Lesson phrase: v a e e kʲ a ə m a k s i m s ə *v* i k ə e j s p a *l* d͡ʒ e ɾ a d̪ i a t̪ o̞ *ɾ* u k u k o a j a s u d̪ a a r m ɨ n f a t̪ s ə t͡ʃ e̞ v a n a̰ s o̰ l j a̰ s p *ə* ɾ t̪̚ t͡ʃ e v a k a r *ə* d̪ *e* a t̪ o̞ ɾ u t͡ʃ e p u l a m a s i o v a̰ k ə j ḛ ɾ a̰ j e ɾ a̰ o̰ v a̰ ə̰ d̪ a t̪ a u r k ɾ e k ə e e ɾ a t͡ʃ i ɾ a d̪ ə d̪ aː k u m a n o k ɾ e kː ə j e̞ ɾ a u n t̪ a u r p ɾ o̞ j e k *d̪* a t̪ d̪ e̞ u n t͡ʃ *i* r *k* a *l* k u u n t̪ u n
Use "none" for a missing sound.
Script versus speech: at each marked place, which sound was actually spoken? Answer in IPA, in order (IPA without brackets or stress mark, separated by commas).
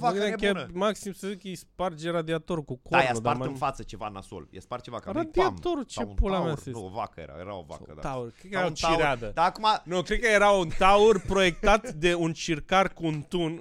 z, r, ɾ, a, a, i, t̪, i, k, r